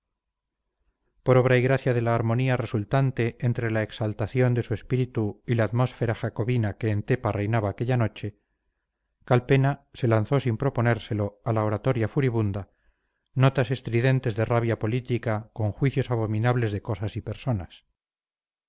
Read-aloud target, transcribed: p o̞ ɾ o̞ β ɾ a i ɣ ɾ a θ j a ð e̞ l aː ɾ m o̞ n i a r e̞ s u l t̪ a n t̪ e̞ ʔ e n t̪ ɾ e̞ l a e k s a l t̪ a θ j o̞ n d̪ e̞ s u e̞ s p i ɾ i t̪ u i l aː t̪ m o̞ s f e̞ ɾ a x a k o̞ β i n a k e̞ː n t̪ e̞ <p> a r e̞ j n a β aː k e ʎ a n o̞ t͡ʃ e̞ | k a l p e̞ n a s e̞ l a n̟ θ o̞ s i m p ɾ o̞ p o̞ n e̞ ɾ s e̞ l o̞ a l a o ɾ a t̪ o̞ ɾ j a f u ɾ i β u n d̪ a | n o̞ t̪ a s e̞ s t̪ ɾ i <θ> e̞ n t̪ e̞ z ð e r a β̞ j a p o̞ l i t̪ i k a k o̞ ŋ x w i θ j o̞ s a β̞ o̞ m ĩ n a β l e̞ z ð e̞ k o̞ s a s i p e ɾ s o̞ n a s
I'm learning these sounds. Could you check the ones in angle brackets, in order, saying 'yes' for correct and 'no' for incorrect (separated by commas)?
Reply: yes, no